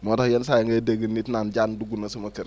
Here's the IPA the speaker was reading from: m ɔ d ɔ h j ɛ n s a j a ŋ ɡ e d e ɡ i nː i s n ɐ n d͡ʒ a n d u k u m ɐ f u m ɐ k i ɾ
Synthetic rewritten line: m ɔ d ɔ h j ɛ n s a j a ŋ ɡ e d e ɡ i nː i t n a n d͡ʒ a n d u ɡ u n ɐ s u m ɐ k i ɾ

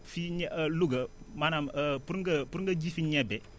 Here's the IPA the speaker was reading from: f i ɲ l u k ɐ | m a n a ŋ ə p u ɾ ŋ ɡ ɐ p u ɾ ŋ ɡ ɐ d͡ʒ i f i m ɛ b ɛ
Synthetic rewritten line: f i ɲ l u ɡ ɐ | m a n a m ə p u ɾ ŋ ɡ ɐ p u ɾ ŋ ɡ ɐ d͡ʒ i f i ɲ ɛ b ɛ

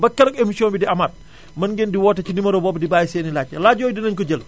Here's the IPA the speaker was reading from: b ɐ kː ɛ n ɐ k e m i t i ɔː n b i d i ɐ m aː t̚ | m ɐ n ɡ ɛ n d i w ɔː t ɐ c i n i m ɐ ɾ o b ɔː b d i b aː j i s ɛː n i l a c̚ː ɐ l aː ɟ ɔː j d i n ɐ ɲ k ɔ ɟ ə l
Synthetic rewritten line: b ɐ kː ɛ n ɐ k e m i s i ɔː n b i d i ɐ m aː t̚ | m ɐ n ɡ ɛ n d i w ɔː t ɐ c i n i m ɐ ɾ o b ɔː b d i b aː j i s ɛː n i l a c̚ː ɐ l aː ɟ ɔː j d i n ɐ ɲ k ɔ ɟ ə l

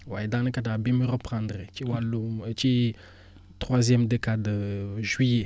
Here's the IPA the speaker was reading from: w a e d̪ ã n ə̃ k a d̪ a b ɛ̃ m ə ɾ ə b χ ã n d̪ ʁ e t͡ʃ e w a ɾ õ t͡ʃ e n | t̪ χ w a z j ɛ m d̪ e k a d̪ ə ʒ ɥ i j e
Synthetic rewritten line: w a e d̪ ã n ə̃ k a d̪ a b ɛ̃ m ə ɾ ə p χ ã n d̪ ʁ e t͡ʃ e w a l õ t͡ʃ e | t̪ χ w a z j ɛ m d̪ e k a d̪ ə ʒ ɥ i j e

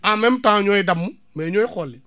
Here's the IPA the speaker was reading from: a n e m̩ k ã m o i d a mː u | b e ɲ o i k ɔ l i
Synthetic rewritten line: a m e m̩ t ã ɲ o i d a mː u | m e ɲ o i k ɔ l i

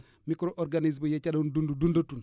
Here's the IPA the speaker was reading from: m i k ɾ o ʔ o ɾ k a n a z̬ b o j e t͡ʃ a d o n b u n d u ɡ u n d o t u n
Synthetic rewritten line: m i k ɾ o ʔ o ɾ ɡ a n i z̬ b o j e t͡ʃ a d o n d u n d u d u n d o t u n

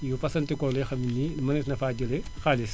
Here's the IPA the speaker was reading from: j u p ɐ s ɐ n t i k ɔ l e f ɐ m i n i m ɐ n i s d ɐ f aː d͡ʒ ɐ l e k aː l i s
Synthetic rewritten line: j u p ɐ s ɐ n t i k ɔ l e x ɐ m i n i m ɐ n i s n ɐ f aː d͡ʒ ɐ l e x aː l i s

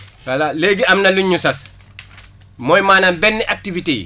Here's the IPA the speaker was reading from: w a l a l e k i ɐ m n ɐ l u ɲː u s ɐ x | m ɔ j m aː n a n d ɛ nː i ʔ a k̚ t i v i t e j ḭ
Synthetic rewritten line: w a l a l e ɡ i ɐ m n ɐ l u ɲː u s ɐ s | m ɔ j m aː n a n b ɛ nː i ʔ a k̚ t i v i t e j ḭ

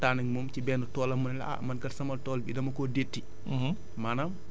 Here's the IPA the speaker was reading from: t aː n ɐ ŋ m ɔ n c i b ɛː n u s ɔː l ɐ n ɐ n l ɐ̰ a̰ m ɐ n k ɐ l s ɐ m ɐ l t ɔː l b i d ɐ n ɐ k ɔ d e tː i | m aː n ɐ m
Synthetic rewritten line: t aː n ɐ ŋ m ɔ m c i b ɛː n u t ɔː l ɐ m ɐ n l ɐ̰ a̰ m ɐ n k ɐ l s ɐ m ɐ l t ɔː l b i d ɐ m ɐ k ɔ d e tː i | m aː n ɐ m

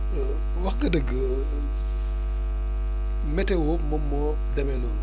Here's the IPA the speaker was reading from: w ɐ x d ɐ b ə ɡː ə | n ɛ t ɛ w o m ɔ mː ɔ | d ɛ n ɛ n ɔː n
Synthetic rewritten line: w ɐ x ɡ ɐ d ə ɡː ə | m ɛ t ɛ w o m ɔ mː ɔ | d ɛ m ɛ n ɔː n

